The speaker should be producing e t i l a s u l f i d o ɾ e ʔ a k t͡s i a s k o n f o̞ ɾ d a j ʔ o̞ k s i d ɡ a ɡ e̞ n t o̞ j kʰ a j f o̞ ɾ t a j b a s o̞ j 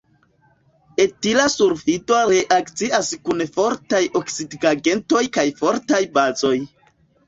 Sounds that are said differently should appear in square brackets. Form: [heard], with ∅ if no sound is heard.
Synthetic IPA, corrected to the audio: e t i l a s u [ɾ] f i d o ɾ e ʔ a k t͡s i a s k [u] n f o̞ ɾ [t] a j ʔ o̞ k s i d ɡ a ɡ e̞ n t o̞ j [k] a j f o̞ ɾ t a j b a [z] o̞ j